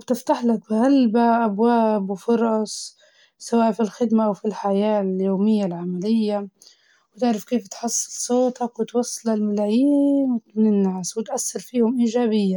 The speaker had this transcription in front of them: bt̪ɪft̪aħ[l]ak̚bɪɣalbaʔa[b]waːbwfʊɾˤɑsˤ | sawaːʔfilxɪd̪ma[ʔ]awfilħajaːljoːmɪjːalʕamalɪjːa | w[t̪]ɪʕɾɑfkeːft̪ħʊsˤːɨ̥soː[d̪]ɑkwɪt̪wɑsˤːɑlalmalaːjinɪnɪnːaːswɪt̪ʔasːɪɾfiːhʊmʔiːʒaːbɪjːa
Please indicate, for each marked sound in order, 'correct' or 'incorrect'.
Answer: correct, correct, correct, correct, incorrect

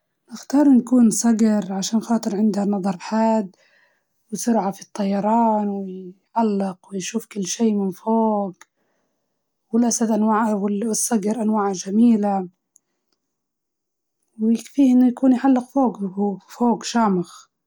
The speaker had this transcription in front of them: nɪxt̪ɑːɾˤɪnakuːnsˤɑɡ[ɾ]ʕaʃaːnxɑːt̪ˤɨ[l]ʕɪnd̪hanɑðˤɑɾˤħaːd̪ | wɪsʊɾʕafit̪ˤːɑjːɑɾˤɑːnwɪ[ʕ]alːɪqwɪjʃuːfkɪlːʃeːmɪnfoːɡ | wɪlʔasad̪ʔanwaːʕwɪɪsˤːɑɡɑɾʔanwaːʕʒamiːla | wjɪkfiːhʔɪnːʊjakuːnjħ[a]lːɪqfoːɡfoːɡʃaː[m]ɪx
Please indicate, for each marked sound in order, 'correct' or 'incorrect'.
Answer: correct, incorrect, correct, correct, correct

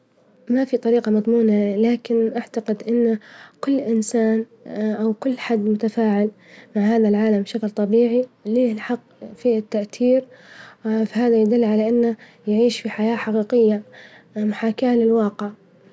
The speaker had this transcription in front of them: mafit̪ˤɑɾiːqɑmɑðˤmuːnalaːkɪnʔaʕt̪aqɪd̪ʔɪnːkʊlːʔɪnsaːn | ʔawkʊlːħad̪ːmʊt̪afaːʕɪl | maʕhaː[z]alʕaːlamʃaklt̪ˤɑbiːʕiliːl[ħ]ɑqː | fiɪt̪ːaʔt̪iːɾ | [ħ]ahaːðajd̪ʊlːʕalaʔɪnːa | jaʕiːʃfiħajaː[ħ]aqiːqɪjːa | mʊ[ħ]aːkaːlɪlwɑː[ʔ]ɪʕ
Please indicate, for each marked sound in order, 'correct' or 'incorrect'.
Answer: incorrect, correct, incorrect, correct, correct, incorrect

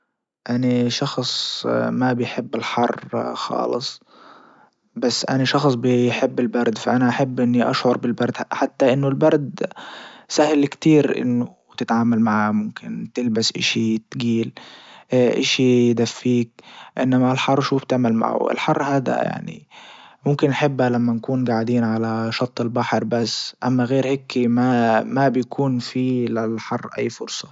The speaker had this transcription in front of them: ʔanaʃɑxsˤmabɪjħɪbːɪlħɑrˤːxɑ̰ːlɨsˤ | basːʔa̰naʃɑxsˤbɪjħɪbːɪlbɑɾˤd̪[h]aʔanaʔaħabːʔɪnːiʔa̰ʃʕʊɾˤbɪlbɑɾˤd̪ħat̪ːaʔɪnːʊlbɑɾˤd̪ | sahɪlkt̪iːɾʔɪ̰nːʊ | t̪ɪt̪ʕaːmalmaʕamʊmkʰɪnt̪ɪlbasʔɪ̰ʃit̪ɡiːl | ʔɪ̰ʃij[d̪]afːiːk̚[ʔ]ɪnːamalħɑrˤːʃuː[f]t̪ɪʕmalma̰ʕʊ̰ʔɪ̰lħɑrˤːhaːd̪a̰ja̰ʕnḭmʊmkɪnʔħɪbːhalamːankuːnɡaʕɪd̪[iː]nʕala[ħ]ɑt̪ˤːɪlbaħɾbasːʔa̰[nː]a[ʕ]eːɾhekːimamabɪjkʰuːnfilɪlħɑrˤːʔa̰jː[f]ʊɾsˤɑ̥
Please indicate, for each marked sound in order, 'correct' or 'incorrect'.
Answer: incorrect, correct, correct, correct, correct, incorrect, incorrect, incorrect, correct

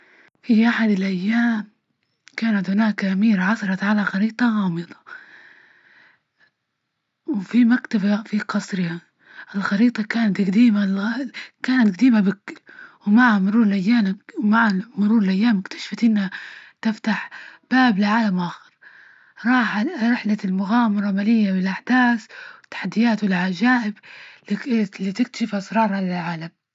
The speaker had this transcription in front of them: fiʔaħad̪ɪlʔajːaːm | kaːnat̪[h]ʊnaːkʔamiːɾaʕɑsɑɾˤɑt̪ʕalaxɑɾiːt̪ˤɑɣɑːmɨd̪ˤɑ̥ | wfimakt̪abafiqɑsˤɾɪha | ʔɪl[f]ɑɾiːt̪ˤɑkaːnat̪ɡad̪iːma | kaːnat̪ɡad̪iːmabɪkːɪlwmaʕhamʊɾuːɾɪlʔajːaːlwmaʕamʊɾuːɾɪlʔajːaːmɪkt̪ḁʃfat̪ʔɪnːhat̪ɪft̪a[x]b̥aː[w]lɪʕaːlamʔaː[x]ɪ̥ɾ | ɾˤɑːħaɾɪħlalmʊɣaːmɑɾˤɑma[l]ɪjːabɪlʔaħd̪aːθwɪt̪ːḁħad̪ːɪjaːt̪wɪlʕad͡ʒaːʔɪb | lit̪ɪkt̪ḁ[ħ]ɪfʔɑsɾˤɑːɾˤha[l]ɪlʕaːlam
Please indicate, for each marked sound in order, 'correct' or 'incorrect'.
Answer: correct, incorrect, incorrect, incorrect, correct, correct, incorrect, correct

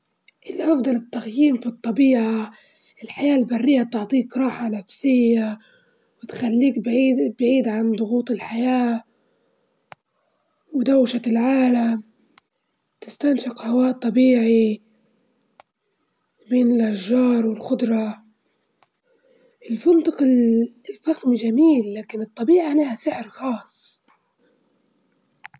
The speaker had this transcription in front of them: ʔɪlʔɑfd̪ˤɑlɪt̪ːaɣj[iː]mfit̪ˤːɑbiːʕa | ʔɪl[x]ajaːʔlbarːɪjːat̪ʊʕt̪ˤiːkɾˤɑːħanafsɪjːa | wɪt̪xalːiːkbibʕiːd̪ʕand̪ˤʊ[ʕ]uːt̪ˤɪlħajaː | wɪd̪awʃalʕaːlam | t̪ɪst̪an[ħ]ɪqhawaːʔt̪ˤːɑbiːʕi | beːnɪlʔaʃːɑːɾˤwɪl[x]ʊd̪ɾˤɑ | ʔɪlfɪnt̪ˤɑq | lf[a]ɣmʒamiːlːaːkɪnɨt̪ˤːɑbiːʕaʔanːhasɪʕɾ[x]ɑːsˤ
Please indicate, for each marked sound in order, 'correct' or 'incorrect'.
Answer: correct, incorrect, incorrect, incorrect, correct, correct, correct

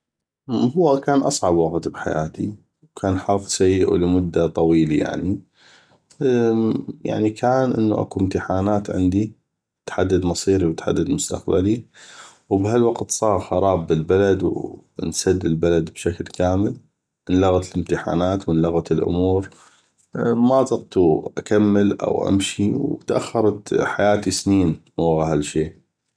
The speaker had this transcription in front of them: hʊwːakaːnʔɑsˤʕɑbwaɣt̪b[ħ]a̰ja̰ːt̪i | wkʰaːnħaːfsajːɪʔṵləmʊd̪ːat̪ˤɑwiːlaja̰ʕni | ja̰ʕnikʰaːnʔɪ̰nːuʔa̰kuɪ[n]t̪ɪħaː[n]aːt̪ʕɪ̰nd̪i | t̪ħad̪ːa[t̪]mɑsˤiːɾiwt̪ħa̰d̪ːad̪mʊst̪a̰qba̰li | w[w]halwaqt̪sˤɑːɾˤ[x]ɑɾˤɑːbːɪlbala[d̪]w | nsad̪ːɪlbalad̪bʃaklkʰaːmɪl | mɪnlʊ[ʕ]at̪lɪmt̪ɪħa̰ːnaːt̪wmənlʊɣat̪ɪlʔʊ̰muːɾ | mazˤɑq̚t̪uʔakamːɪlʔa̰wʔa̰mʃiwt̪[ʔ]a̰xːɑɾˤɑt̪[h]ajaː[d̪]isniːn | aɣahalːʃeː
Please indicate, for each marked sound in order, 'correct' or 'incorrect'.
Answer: correct, incorrect, correct, incorrect, incorrect, correct, correct, incorrect, correct, incorrect, incorrect

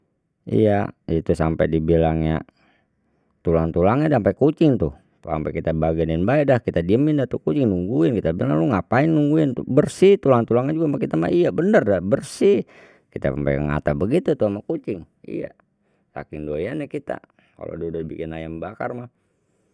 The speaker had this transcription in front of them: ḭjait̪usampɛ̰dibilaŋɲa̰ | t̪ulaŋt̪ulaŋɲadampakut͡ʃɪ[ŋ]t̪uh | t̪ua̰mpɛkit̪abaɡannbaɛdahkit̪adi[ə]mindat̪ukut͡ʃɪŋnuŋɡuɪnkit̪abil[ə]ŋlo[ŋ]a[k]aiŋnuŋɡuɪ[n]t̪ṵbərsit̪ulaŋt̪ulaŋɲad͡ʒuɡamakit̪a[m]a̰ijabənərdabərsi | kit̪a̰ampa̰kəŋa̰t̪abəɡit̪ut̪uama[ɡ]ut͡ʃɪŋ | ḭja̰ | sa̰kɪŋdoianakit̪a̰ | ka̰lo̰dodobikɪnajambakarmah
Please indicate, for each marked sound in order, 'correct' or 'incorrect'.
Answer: correct, correct, incorrect, correct, incorrect, correct, correct, incorrect

